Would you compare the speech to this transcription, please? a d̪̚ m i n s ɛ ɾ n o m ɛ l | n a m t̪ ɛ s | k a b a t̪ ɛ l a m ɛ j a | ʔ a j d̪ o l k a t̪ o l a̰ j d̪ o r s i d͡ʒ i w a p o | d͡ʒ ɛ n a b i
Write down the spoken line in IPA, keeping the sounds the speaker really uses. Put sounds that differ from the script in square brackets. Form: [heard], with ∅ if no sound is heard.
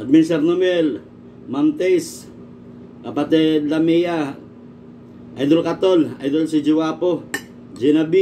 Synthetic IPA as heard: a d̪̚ m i n s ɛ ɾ n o m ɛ l | [m] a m t̪ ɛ s | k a [p] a t̪ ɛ l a m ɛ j a | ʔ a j d̪ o l k a t̪ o l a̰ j d̪ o [l] s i d͡ʒ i w a p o | d͡ʒ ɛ n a b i